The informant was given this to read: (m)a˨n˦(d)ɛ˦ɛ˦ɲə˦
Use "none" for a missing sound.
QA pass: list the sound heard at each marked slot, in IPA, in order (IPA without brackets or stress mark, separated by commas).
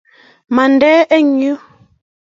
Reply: m, d